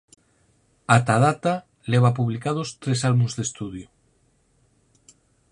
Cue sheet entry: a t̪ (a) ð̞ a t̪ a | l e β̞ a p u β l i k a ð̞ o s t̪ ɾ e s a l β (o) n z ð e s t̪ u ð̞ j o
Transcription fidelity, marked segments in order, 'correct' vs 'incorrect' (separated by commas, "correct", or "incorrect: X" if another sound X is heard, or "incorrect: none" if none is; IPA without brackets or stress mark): correct, incorrect: u